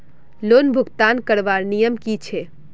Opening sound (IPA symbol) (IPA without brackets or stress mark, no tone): l